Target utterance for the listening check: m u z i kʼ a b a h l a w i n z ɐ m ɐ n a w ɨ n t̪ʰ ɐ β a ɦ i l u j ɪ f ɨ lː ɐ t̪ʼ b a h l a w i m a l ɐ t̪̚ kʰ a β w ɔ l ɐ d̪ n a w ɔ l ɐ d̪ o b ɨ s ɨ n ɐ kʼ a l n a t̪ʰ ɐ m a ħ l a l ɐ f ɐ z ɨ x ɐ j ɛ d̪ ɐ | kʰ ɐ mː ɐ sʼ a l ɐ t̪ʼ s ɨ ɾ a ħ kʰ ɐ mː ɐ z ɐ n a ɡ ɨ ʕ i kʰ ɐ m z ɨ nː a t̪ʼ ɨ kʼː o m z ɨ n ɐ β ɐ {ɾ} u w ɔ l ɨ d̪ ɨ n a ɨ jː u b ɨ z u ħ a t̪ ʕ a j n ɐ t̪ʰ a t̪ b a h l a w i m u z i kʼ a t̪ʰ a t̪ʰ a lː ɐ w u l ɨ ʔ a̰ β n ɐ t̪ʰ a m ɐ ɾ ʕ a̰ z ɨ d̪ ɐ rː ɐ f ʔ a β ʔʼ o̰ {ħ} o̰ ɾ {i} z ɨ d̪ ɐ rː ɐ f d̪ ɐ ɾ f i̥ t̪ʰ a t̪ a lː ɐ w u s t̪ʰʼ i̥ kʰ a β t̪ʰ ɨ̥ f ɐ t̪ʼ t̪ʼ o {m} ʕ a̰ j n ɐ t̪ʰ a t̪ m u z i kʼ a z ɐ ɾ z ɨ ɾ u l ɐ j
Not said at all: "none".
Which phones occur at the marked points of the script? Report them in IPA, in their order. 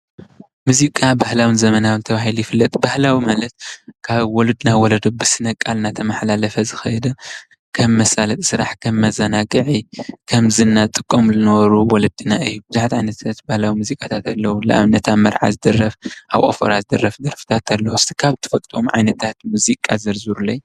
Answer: ɾ, f, a, m

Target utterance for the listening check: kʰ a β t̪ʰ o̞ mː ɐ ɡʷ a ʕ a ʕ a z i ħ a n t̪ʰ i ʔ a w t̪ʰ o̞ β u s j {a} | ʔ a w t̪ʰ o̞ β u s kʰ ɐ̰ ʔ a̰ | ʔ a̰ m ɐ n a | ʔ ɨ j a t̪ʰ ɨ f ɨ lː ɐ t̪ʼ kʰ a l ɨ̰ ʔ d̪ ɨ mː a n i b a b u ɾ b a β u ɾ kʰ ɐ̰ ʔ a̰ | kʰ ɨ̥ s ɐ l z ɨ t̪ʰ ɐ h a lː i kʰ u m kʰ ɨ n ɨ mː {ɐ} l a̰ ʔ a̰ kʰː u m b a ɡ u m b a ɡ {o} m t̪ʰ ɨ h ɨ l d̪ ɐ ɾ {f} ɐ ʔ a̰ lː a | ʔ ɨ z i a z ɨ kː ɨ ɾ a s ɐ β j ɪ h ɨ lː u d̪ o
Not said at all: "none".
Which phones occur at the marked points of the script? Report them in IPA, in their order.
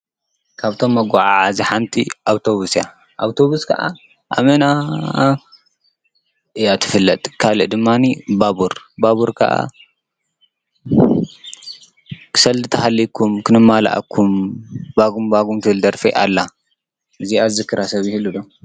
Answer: a, a, u, f

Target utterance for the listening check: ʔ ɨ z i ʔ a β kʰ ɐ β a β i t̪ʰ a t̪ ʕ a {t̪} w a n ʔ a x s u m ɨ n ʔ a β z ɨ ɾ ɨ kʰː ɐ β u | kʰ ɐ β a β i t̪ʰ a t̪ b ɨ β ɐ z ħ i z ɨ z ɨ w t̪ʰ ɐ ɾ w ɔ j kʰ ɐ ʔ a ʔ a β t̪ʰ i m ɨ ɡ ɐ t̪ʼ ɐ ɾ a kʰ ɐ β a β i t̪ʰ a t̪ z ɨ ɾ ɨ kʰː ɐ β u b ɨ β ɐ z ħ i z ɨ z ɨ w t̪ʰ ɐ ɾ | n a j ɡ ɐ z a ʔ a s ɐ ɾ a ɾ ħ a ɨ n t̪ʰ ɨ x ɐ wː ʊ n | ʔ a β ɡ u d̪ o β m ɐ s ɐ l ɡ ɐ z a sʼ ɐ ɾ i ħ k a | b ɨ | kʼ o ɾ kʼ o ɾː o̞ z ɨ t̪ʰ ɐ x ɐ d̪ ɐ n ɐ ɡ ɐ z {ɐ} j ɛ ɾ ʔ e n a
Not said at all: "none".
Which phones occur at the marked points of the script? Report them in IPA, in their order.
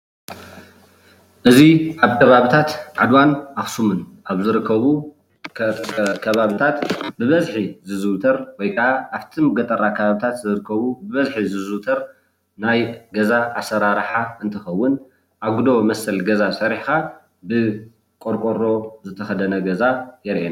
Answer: d̪, a

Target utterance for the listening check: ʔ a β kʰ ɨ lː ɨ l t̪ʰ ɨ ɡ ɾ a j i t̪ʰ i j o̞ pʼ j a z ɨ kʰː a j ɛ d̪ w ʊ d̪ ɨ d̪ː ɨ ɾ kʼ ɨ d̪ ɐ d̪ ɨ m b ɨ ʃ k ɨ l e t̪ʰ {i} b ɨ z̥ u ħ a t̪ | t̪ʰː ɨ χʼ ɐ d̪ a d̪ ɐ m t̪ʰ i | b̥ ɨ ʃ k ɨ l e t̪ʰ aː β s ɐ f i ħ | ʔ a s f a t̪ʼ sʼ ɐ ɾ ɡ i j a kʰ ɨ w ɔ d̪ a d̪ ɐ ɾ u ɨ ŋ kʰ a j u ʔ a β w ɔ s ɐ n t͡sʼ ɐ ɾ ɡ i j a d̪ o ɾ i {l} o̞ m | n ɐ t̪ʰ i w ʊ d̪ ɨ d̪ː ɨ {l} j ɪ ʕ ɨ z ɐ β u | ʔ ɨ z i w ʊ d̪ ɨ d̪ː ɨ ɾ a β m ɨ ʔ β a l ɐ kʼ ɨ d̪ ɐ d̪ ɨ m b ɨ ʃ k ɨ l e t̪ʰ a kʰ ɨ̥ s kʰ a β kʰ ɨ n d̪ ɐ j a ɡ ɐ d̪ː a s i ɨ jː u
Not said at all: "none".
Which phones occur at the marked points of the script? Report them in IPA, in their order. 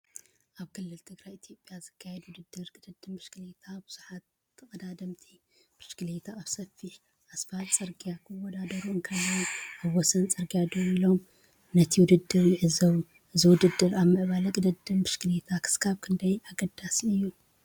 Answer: a, l, ɾ

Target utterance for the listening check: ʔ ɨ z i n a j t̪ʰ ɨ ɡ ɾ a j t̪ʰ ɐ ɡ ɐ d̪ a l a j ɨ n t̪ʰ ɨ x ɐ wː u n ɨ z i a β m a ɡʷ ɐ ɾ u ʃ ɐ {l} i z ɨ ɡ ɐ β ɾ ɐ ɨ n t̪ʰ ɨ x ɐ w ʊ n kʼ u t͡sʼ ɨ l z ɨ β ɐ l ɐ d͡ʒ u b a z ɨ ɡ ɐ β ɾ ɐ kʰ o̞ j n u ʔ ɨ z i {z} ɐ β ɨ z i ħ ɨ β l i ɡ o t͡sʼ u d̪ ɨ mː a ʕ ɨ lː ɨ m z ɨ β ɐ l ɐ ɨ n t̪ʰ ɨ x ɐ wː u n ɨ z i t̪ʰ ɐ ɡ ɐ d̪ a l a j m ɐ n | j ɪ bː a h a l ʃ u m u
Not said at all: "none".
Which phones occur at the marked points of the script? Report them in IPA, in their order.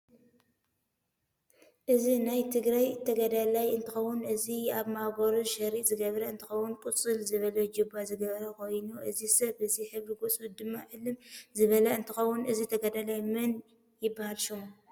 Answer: ɾ, s

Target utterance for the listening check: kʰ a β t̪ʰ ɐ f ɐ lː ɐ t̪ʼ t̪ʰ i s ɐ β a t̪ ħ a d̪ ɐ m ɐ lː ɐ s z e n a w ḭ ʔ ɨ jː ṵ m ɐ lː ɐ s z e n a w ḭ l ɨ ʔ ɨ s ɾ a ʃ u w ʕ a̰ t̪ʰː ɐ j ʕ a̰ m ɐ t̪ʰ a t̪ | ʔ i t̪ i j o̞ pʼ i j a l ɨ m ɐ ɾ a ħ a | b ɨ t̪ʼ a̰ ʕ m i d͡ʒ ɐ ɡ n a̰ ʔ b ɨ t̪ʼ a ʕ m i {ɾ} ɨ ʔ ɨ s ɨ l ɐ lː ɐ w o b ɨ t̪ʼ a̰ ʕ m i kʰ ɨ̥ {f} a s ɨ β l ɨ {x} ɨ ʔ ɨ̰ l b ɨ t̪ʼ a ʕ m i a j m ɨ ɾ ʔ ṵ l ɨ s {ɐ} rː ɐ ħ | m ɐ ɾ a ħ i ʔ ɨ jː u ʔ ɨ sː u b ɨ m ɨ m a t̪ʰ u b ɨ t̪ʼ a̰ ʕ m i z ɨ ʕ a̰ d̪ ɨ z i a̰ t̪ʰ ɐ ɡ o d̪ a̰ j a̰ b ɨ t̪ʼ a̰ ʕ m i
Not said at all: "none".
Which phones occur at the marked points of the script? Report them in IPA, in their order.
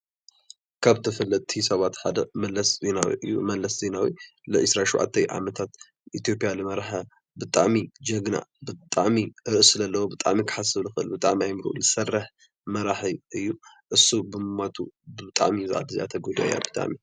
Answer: ɾ, ħ, x, ɐ

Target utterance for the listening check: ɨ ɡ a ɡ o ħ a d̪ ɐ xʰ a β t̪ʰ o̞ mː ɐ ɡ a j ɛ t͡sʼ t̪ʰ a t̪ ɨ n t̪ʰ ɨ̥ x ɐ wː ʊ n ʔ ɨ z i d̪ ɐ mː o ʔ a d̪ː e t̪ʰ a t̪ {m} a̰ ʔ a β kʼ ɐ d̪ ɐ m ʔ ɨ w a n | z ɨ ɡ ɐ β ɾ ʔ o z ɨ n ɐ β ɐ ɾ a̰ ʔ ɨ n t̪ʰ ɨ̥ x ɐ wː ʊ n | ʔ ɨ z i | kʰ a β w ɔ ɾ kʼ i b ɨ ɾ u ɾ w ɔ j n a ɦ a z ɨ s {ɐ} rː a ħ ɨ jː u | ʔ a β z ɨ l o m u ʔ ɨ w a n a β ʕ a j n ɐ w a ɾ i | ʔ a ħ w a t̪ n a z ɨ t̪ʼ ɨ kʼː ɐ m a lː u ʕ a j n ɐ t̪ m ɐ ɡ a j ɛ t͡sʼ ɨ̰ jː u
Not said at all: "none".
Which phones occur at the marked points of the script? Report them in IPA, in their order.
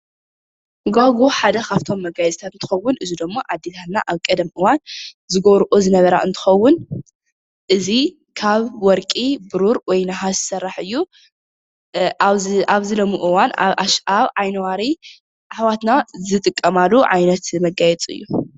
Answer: n, ɐ

